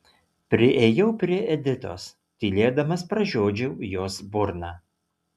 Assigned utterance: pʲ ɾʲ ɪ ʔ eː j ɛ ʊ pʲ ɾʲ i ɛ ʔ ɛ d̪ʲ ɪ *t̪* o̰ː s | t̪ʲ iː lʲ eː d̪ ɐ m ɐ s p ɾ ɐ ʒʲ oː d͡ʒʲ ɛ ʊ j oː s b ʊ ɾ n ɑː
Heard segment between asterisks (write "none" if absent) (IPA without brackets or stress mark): t̪